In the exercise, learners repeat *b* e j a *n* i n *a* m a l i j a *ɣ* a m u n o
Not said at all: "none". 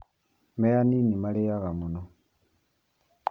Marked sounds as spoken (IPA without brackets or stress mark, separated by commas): m, n, i, ɣ